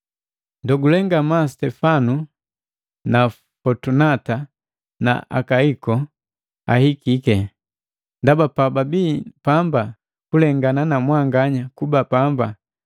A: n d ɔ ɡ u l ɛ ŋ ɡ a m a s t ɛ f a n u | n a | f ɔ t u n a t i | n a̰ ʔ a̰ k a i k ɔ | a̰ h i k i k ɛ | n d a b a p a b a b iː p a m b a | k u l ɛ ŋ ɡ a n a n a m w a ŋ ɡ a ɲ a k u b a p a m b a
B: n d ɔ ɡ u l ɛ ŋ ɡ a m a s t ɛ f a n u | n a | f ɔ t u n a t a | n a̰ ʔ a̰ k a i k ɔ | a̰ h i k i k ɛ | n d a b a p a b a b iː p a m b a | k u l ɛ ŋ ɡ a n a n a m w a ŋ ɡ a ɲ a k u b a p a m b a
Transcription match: B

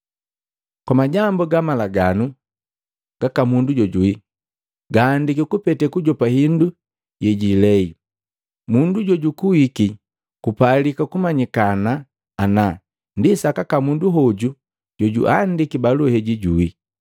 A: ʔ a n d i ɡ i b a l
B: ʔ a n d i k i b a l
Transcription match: B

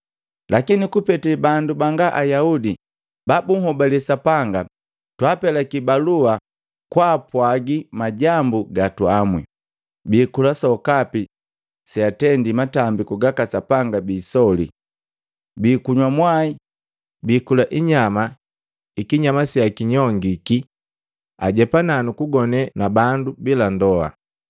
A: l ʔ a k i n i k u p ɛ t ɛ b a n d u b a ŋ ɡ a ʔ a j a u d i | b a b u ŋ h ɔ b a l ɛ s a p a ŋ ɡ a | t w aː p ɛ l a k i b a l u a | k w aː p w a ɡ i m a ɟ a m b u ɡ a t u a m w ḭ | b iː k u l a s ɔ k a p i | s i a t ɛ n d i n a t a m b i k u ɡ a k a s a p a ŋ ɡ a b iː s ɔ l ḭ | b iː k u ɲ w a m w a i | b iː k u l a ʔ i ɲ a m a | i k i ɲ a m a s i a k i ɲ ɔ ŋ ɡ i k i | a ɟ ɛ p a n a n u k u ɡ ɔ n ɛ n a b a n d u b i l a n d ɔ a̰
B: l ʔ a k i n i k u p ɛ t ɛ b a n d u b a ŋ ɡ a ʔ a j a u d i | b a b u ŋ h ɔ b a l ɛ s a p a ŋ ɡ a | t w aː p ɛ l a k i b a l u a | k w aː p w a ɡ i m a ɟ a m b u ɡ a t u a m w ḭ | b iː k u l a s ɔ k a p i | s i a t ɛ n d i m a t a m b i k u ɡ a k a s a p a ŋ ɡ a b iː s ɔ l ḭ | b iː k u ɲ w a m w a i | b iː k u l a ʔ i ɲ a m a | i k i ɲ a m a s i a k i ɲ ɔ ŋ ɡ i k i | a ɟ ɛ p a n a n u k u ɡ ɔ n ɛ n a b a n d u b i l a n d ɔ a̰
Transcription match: B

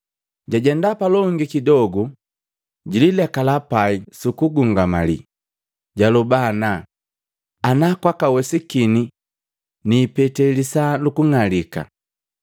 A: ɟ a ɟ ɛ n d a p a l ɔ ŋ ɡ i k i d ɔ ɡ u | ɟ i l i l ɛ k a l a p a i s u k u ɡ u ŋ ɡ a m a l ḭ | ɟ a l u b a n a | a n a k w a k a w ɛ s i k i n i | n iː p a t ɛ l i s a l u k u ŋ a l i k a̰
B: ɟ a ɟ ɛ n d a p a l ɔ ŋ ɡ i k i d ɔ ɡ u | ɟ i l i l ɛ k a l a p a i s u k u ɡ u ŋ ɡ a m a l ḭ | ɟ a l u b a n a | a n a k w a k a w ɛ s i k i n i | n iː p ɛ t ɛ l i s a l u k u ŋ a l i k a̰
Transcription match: B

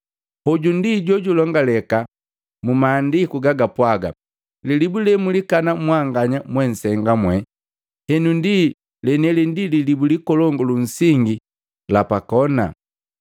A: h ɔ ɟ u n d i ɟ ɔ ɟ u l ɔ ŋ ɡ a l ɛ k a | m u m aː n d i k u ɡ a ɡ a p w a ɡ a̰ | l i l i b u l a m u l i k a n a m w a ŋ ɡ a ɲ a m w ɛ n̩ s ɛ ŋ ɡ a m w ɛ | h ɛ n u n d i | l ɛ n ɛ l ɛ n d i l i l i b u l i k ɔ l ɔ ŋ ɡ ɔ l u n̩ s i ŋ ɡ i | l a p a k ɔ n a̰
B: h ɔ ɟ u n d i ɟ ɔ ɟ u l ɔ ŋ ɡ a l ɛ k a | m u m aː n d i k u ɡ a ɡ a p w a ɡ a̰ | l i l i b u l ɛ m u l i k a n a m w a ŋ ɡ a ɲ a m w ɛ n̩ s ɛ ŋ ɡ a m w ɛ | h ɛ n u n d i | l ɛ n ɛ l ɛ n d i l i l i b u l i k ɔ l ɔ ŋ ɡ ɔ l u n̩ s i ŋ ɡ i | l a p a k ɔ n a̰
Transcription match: B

